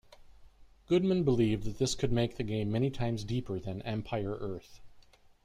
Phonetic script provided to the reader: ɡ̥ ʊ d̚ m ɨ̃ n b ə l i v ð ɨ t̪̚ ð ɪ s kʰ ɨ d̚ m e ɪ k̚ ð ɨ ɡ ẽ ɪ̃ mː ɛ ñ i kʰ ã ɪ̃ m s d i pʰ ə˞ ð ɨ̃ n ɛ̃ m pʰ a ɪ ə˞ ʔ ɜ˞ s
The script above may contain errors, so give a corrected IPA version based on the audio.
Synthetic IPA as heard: ɡ̥ ʊ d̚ m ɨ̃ n b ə l i v ð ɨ t̪̚ ð ɪ s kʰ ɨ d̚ m e ɪ k̚ ð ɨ ɡ ẽ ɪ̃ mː ɛ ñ i tʰ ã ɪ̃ m z d i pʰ ə˞ ð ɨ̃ n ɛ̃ m pʰ a ɪ ə˞ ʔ ɜ˞ θ